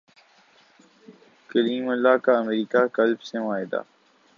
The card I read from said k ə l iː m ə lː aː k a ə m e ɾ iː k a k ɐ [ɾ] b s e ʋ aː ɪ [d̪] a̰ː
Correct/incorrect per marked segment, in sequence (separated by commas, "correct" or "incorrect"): incorrect, correct